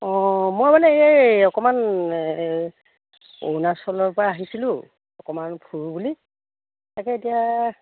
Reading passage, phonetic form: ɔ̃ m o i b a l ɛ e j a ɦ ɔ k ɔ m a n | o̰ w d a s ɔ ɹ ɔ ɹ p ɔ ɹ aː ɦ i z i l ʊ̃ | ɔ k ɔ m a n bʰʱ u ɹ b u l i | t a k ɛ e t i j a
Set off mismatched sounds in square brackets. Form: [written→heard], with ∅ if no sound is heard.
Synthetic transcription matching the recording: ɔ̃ m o [i→j] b a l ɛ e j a [ɦ→∅] ɔ k ɔ m a n | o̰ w [d→n] a s ɔ [ɹ→l] ɔ ɹ p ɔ ɹ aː ɦ i [z→s] i l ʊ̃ | ɔ k ɔ m a n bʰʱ u ɹ b u l i | t a k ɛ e t i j a